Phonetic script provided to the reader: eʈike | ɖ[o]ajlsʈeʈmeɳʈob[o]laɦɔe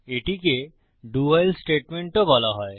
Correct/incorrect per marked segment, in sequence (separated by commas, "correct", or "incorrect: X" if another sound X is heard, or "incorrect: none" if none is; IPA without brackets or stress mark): incorrect: u, incorrect: ɔ